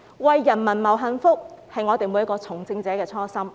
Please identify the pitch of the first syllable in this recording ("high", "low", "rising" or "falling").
low